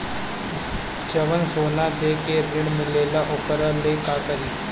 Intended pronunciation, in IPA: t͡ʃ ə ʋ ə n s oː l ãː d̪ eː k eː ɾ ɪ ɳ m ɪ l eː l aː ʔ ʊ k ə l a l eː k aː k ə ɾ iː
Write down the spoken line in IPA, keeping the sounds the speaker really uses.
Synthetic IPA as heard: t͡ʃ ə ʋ ə n s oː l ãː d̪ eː k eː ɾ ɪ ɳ m ɪ l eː l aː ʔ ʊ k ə ɾ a l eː k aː k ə ɾ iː